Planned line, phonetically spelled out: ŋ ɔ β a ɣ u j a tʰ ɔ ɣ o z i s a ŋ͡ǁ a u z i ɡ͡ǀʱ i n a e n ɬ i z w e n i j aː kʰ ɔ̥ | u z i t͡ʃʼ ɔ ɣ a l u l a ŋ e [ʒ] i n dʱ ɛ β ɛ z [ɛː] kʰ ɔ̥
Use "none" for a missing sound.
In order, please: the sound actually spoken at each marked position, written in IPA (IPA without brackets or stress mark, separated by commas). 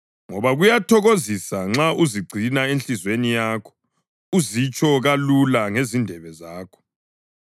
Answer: z, aː